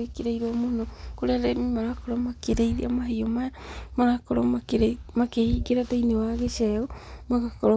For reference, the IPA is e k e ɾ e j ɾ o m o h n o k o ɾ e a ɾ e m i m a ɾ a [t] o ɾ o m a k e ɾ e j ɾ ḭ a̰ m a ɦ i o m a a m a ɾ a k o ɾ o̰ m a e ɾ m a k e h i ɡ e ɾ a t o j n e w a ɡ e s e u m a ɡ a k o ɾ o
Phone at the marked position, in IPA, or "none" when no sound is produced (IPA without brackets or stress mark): k